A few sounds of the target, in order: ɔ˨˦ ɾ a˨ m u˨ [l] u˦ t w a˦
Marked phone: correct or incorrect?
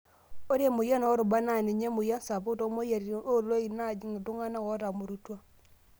incorrect